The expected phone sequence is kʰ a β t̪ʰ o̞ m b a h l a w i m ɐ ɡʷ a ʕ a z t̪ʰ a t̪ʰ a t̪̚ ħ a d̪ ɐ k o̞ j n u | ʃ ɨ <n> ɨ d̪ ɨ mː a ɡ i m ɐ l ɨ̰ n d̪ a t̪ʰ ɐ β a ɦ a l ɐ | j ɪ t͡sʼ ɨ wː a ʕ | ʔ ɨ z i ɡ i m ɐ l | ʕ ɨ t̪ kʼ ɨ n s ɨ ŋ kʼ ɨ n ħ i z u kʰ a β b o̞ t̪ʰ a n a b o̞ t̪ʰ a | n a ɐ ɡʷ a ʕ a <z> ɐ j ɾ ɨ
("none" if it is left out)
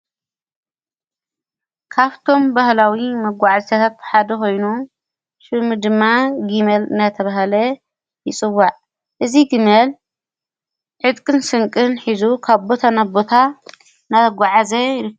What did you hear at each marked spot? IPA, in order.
m, z

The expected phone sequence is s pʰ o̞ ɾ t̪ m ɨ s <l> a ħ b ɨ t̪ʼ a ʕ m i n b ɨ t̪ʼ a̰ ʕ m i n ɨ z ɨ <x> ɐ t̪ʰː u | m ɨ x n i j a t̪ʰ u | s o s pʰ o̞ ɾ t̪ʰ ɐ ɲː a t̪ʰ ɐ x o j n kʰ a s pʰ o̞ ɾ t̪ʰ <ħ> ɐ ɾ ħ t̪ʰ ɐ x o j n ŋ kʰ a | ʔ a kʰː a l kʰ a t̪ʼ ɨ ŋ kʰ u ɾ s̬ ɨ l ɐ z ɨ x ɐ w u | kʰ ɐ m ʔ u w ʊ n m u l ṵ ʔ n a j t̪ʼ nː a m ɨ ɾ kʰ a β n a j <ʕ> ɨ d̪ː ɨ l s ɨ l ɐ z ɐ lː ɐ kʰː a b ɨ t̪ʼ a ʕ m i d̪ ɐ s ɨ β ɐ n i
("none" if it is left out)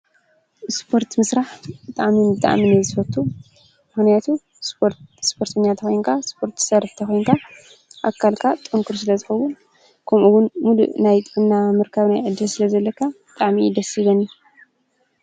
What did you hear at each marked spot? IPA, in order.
ɾ, f, s, ʕ

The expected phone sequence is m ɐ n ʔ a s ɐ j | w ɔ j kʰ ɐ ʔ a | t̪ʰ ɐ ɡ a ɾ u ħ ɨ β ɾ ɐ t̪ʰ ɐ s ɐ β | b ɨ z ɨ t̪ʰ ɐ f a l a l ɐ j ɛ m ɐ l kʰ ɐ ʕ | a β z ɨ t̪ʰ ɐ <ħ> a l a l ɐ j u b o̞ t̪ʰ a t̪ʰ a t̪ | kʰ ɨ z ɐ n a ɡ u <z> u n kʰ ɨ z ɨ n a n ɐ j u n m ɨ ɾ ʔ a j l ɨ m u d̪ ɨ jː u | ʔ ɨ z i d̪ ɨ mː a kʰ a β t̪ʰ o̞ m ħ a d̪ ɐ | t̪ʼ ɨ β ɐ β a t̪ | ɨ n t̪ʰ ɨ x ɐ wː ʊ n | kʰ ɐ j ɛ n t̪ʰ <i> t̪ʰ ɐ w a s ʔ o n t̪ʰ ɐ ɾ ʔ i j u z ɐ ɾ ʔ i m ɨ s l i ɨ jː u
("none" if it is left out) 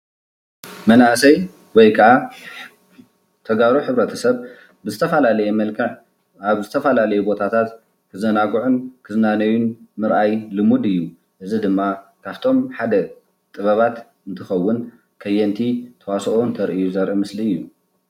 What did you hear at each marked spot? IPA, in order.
f, ʕ, i

